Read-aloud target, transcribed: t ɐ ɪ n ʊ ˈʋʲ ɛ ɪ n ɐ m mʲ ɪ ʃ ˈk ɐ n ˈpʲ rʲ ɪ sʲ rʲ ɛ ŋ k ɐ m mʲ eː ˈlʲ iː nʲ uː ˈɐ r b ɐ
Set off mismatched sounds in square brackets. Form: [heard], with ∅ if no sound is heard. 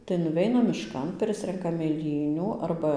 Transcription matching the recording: t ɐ ɪ n ʊ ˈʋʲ ɛ ɪ n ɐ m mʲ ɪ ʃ ˈk ɐ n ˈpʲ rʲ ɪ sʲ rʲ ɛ ŋ k ɐ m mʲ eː ˈlʲ iː nʲ uː ˈɐ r b ɐ